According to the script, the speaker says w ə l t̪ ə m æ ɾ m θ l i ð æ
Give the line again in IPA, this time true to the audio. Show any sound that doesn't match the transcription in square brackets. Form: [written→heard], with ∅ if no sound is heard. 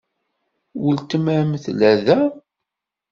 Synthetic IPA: w ə l t̪ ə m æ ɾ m θ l [i→æ] ð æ